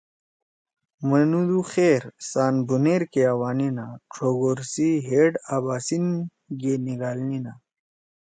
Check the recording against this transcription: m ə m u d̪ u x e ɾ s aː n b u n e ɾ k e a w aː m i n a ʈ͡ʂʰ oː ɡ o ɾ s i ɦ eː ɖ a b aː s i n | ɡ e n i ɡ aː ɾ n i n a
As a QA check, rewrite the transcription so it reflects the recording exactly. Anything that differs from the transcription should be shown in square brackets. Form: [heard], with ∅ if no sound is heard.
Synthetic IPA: m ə [n] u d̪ u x e ɾ s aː n b u n e ɾ k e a w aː [n] i n a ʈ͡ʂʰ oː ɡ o ɾ s i ɦ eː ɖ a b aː s i n | ɡ e n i ɡ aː [l] n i n a